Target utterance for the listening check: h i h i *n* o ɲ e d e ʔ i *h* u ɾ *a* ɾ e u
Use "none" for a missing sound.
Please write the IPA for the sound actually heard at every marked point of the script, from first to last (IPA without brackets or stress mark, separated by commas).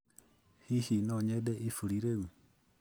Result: n, f, i